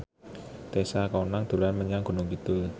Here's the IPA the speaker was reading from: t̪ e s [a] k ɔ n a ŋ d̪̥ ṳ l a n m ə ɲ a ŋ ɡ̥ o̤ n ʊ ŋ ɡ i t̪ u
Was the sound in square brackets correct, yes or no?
yes